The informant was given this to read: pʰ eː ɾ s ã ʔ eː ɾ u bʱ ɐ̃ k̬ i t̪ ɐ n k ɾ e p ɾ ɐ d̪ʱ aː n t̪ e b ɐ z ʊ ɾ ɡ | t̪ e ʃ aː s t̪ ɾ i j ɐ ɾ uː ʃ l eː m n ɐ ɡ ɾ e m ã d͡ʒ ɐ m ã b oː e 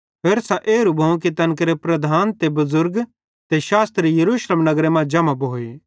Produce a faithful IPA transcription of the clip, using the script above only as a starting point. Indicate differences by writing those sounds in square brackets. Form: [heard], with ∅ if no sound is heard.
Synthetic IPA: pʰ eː ɾ s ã ʔ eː ɾ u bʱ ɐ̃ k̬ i t̪ ɐ n k ɾ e p ɾ ɐ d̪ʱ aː n t̪ e b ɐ z ʊ ɾ ɡ | t̪ e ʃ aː s t̪ ɾ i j ɐ ɾ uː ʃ l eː m n ɐ ɡ ɾ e m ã d͡ʒ ɐ m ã b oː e